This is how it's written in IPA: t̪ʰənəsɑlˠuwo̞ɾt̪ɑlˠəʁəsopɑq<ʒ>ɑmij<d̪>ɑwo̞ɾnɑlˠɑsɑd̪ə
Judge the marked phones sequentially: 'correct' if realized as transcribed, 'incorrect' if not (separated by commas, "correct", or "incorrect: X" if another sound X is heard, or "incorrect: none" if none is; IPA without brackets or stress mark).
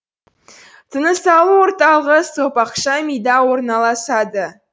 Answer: incorrect: ʃ, correct